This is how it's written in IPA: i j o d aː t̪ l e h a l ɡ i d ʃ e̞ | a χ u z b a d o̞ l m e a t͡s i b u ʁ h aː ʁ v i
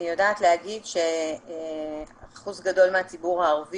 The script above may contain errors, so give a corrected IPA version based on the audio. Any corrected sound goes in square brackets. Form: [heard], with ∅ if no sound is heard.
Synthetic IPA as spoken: i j o d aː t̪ l e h a [∅] ɡ i d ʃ e̞ | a χ u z [ɡ] a d o̞ l m e a t͡s i b u ʁ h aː ʁ v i